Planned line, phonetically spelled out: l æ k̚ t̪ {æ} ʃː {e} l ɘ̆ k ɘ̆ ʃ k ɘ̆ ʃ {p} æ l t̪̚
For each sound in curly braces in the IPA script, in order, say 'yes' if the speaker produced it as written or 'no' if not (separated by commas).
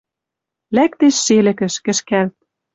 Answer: no, yes, no